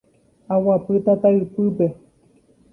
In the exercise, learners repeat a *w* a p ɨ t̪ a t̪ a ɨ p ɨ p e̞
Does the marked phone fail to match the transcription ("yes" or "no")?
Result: no